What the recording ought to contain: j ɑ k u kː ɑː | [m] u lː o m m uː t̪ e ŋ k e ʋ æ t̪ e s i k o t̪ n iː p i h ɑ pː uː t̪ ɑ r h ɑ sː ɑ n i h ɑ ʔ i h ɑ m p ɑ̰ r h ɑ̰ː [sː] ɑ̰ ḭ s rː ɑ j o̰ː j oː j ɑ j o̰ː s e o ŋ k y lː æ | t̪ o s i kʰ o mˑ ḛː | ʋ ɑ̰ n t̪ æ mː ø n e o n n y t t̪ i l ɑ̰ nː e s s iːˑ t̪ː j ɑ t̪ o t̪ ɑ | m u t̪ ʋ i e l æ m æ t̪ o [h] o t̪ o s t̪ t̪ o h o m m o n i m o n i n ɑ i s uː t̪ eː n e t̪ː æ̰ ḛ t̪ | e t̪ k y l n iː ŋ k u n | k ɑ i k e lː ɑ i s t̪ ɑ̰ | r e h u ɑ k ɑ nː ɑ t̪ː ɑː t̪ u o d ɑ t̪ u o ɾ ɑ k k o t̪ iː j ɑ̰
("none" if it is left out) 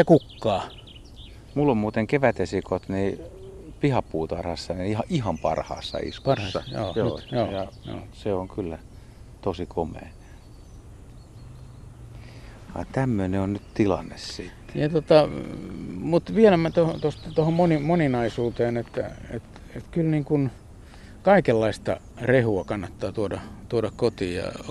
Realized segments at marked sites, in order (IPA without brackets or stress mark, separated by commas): m, sː, h